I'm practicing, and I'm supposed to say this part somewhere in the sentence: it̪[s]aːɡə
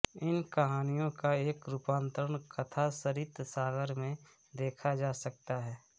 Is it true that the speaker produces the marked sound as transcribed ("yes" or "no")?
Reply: yes